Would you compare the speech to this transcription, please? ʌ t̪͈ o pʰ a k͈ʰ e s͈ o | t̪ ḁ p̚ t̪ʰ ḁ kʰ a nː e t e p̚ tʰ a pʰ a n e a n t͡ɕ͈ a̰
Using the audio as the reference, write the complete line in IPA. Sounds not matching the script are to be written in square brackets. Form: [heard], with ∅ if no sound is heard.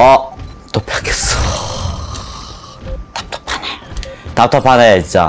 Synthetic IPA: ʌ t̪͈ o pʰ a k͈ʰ e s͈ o | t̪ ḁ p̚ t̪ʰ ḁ [pʰ] a [n] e t [a] p̚ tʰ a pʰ a n e [i] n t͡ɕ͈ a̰